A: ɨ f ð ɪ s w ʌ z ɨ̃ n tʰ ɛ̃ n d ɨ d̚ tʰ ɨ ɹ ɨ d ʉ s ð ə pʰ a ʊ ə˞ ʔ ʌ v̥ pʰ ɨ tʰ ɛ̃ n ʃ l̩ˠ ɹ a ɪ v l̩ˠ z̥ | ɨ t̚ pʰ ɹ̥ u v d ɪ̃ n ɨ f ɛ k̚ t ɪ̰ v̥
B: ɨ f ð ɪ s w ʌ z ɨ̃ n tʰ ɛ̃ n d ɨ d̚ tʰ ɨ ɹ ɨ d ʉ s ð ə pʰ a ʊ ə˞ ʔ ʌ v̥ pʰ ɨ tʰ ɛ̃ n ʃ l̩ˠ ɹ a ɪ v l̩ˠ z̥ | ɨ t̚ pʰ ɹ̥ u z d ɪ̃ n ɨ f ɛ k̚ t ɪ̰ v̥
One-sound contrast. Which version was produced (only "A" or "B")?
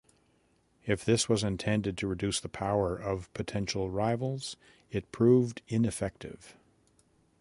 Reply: A